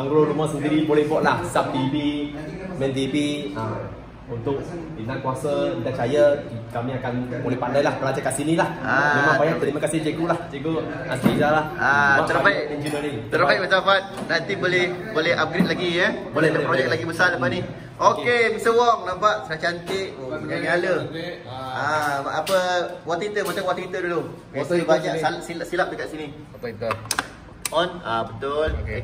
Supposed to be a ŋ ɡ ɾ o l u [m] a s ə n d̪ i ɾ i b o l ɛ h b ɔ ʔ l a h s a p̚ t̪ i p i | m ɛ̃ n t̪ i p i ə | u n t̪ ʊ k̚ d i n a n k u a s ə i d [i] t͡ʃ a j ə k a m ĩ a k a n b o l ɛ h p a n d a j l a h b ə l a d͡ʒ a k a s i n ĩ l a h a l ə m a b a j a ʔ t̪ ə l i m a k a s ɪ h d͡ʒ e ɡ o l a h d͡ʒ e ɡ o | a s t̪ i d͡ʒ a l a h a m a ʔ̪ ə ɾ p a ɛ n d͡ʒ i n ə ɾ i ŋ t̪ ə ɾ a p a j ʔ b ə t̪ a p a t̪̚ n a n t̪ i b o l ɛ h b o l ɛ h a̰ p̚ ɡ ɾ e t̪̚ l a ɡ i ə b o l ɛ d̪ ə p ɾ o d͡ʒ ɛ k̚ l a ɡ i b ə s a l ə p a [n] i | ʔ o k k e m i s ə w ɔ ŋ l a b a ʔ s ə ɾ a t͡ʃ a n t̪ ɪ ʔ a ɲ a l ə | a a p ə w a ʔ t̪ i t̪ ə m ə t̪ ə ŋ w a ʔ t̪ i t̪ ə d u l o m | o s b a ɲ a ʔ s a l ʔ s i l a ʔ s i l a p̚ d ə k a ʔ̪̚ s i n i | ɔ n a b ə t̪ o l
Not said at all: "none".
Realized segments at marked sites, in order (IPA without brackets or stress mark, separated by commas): m, a, n